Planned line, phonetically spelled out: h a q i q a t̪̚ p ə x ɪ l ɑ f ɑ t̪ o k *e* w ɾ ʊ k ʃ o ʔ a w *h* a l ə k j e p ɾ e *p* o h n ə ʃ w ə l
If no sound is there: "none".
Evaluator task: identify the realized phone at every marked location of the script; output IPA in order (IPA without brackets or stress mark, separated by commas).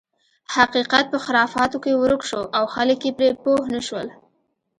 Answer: e, x, p